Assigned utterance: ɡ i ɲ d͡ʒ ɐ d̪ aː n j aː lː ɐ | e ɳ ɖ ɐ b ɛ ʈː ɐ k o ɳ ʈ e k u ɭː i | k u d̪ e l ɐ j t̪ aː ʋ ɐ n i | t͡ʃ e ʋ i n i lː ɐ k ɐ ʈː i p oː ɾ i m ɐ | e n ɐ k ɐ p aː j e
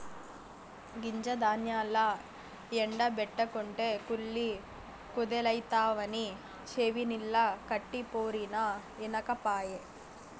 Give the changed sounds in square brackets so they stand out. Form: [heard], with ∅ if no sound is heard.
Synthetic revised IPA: ɡ i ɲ d͡ʒ ɐ d̪ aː n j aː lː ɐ | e ɳ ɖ ɐ b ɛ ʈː ɐ k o ɳ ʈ e k u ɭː i | k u d̪ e l ɐ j t̪ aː ʋ ɐ n i | t͡ʃ e ʋ i n i lː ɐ k ɐ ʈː i p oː ɾ i [n] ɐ | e n ɐ k ɐ p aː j e